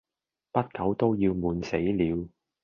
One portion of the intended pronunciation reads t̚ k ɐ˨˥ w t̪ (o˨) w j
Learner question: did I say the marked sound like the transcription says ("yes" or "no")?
no